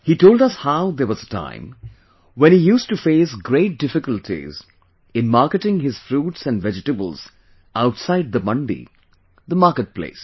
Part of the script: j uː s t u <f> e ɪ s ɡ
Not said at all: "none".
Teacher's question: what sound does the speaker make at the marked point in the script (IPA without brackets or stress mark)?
f